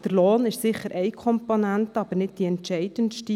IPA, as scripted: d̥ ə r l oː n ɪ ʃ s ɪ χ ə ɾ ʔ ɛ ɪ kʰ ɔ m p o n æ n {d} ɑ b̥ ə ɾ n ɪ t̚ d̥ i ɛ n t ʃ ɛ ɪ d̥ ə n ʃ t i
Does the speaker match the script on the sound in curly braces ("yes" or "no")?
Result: no